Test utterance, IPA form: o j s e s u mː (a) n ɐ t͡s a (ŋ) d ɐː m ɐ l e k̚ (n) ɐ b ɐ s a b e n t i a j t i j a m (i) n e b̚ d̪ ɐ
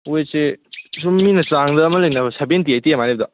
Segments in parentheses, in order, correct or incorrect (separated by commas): incorrect, correct, correct, incorrect